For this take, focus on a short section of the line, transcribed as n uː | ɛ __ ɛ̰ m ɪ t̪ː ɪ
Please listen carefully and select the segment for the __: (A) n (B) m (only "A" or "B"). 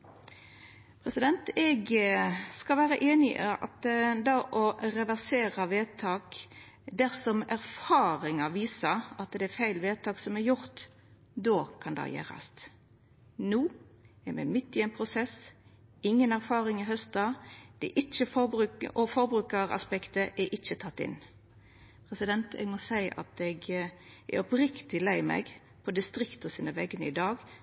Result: B